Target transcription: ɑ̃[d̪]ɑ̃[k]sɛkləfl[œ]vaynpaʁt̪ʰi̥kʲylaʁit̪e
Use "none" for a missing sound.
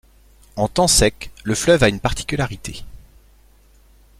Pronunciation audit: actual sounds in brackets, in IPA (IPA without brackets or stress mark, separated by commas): t̪, none, œ